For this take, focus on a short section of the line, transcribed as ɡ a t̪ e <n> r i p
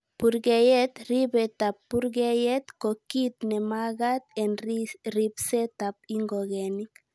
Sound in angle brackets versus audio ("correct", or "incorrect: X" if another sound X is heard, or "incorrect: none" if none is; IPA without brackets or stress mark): correct